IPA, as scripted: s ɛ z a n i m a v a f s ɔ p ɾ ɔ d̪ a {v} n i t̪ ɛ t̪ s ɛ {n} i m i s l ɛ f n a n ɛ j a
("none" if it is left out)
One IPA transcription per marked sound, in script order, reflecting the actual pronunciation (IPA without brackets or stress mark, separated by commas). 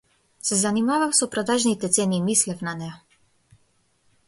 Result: ʒ, n